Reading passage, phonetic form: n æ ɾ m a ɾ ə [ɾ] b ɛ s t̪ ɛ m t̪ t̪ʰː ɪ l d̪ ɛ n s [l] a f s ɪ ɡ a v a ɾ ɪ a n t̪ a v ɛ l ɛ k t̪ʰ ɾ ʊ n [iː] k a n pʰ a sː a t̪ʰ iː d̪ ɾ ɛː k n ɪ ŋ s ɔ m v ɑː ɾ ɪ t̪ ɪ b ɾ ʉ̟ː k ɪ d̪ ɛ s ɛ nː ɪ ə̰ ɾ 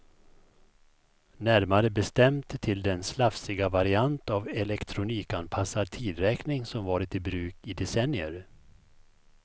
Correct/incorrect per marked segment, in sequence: incorrect: none, correct, correct

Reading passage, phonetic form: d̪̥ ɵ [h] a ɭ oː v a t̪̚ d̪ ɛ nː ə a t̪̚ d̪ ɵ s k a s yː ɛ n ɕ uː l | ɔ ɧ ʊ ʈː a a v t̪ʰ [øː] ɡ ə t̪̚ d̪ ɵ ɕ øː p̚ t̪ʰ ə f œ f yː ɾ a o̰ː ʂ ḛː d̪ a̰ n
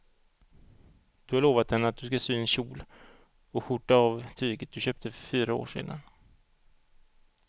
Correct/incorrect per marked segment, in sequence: correct, incorrect: yː

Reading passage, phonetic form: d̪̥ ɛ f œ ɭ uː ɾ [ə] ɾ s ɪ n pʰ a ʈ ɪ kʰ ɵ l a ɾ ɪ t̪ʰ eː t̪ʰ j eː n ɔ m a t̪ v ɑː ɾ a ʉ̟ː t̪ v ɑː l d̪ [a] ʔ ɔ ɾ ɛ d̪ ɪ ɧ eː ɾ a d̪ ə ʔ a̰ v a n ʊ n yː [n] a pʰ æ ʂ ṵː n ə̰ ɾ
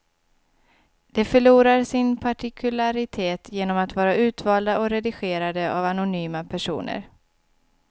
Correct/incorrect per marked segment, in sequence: incorrect: a, correct, incorrect: m

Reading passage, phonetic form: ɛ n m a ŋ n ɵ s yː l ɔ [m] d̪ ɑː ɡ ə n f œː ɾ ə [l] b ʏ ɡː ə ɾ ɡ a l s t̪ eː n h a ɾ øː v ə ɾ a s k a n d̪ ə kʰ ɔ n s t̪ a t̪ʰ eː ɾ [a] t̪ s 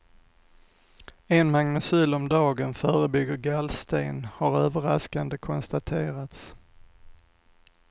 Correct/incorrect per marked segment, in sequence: correct, incorrect: none, correct

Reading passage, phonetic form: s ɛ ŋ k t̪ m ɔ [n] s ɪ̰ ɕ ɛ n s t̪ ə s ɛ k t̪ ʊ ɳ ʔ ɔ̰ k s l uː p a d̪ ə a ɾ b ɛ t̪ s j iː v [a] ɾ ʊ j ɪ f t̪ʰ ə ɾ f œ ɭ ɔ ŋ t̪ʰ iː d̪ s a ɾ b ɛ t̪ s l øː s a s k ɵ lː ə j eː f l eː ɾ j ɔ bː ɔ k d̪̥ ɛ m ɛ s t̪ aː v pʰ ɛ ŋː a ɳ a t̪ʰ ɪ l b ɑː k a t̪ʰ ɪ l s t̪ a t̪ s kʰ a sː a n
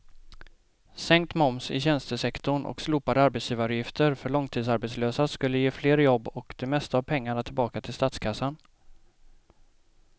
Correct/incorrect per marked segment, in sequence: incorrect: m, correct

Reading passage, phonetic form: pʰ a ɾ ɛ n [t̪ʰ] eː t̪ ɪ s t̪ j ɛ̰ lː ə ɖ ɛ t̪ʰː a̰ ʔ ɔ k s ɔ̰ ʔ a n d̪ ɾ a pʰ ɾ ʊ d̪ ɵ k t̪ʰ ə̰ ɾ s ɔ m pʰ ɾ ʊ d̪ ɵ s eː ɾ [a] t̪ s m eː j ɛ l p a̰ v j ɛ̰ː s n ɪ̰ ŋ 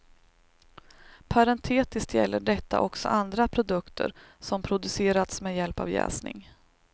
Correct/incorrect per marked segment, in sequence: correct, correct

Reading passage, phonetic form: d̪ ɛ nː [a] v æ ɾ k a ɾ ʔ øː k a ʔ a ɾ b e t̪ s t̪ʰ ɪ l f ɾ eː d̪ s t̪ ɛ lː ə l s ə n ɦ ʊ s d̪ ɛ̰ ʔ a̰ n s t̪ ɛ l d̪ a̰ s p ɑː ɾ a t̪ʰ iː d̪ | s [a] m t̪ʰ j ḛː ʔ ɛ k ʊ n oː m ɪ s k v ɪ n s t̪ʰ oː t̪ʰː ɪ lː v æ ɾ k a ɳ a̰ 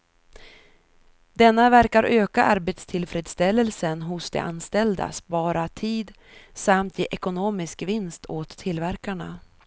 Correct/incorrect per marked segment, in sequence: correct, correct

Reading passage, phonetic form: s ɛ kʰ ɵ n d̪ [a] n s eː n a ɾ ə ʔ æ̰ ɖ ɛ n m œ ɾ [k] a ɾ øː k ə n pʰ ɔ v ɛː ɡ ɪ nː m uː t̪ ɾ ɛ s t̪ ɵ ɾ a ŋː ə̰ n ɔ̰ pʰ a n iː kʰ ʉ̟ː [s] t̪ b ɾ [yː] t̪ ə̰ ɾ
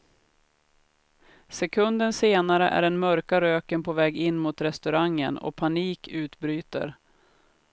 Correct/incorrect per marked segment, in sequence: incorrect: ə, correct, incorrect: none, correct

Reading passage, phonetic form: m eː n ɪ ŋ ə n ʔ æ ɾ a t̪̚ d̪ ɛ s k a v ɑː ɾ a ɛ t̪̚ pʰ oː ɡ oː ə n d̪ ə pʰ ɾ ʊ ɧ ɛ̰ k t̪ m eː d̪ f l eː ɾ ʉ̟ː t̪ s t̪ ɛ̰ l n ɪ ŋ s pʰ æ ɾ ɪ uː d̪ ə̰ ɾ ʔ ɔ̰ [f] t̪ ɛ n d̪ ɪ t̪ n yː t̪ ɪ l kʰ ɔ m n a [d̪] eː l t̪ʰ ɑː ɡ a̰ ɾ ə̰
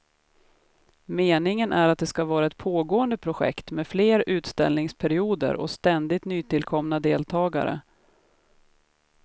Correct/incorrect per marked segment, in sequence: incorrect: s, correct

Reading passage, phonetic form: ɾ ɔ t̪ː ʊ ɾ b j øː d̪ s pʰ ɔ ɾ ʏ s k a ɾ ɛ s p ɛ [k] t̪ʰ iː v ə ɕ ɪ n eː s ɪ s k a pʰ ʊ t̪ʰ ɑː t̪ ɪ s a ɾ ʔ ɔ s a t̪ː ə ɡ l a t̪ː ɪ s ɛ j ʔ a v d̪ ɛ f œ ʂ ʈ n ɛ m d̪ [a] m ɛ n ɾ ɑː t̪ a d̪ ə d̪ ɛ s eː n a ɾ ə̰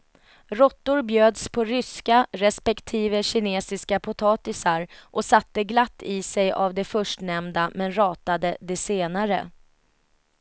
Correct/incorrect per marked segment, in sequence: correct, correct

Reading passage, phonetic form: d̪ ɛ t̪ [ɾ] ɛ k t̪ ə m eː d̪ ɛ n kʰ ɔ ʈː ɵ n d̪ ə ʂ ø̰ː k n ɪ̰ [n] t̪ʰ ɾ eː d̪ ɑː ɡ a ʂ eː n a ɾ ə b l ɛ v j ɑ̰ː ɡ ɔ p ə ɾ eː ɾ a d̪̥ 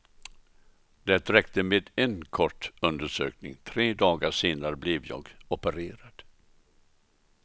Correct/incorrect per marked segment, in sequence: correct, incorrect: ŋ

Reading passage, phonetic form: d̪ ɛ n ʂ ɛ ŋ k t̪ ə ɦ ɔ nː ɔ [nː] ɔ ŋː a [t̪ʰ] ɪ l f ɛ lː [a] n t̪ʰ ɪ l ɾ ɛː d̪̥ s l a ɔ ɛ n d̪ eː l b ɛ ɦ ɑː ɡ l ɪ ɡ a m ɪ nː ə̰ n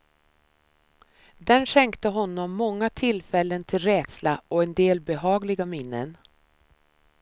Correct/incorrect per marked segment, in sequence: incorrect: mː, correct, incorrect: ə

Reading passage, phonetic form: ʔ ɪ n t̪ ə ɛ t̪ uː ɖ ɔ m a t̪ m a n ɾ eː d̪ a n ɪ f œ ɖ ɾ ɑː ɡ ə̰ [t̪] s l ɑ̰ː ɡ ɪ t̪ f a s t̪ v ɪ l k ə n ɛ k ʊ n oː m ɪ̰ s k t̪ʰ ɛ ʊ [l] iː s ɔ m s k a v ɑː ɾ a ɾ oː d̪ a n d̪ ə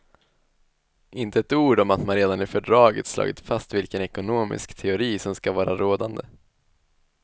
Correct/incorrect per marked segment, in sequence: correct, incorrect: ɾ

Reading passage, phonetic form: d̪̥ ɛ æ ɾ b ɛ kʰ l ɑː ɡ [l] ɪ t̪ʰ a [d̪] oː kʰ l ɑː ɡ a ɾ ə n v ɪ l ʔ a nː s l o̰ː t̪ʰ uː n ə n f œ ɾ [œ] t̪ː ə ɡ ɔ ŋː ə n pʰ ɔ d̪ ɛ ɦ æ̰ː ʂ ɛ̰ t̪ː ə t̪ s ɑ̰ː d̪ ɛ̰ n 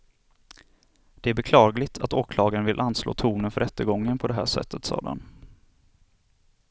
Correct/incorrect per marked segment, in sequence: correct, incorrect: t̪, incorrect: ɛ

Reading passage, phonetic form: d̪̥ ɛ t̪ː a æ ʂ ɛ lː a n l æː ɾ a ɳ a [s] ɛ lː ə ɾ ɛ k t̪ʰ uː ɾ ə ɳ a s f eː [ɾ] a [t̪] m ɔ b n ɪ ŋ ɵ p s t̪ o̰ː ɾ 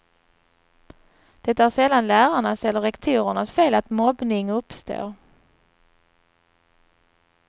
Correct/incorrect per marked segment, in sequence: correct, incorrect: l, correct

